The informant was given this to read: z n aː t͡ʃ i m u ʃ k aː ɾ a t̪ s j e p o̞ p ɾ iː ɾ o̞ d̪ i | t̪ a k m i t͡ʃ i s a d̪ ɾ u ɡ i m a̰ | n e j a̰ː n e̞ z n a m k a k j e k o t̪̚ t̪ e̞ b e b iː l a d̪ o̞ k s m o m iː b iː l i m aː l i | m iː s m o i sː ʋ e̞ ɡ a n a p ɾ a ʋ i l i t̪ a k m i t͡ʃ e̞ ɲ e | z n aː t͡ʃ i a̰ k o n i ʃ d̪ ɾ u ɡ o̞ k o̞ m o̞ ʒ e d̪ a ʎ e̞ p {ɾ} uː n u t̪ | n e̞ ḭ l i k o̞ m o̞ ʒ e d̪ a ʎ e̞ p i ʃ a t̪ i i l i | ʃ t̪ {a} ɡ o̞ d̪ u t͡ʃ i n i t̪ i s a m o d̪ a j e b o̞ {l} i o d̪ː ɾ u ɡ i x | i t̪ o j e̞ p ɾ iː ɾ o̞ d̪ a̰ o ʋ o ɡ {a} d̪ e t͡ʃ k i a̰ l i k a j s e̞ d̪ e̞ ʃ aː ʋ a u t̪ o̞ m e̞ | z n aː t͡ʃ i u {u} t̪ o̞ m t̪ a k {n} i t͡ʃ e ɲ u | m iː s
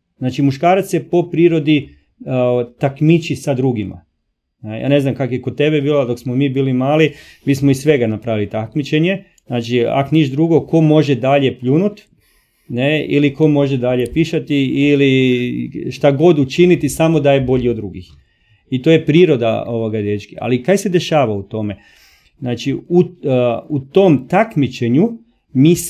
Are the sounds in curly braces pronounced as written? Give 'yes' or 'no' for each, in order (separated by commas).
no, yes, no, yes, yes, no